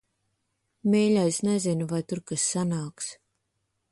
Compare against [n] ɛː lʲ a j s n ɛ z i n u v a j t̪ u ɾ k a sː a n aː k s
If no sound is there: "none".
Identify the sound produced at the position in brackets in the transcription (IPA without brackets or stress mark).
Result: m